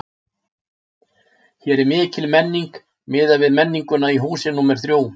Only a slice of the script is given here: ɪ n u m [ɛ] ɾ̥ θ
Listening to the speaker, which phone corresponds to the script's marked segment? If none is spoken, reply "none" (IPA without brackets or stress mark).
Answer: ɛ